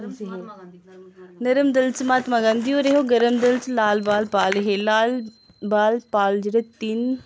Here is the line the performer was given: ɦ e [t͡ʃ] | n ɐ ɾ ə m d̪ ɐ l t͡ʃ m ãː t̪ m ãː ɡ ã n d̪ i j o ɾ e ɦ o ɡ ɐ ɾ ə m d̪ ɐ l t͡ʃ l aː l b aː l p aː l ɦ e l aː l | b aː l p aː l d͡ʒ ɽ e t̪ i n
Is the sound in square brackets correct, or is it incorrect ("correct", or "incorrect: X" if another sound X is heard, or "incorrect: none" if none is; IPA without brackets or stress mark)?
incorrect: none